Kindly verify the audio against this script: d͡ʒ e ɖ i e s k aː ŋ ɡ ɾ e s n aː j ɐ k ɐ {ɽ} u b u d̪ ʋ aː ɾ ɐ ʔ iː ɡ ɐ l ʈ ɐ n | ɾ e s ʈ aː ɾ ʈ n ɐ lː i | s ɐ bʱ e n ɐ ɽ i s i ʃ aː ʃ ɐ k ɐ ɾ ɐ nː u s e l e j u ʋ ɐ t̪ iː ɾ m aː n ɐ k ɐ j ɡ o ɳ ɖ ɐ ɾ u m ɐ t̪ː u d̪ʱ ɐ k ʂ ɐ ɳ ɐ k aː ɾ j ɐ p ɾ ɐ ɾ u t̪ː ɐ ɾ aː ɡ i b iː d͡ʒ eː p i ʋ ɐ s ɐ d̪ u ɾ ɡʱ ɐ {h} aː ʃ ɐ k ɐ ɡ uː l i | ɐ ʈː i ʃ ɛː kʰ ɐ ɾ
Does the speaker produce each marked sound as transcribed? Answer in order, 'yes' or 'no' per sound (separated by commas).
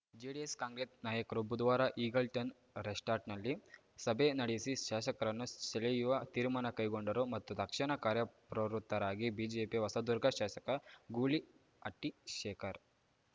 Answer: no, no